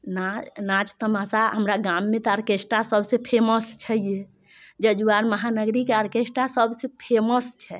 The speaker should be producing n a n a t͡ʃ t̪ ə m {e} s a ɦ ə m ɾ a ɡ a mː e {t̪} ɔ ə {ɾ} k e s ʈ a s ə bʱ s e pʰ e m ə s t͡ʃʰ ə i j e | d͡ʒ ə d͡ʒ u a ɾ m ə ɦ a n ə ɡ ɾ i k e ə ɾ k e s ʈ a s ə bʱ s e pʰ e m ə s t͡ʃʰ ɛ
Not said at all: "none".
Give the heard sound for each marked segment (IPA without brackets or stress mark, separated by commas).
a, t̪, ɾ